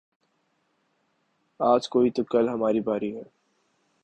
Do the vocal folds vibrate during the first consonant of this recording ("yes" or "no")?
yes